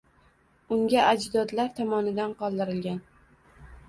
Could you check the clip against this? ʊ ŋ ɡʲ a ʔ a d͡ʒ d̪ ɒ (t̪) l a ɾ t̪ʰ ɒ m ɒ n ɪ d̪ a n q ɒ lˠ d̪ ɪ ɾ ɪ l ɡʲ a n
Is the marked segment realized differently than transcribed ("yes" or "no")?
yes